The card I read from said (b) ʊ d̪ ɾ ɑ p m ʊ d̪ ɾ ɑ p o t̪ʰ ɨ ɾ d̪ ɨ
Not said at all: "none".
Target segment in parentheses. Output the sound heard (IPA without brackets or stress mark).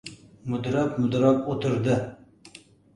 m